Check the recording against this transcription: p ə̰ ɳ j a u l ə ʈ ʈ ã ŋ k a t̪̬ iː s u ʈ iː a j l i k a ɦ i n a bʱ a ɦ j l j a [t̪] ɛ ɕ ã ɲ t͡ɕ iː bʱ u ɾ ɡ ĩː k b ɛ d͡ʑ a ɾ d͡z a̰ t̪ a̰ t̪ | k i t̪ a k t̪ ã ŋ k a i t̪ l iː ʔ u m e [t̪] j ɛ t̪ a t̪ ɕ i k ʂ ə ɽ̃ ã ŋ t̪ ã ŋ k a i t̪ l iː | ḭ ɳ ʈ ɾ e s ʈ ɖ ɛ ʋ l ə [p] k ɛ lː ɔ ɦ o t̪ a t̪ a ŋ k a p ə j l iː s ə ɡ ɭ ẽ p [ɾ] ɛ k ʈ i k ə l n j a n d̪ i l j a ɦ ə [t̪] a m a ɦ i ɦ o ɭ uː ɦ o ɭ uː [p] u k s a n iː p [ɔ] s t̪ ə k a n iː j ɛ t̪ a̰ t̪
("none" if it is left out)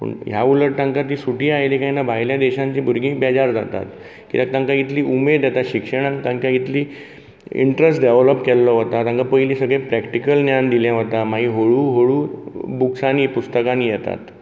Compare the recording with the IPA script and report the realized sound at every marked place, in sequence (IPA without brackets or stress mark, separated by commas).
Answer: d̪, d̪, p, ɾ, t̪, b, u